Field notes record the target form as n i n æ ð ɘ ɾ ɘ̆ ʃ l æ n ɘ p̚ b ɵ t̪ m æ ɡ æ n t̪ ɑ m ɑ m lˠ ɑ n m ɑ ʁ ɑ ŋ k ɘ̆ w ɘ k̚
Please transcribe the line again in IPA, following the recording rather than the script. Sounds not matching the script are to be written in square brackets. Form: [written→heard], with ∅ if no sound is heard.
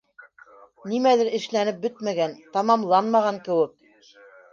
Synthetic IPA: n i [n→m] æ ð ɘ ɾ ɘ̆ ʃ l æ n ɘ p̚ b ɵ t̪ m æ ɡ æ n t̪ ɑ m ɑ m lˠ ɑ n m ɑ ʁ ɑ ŋ k ɘ̆ w ɘ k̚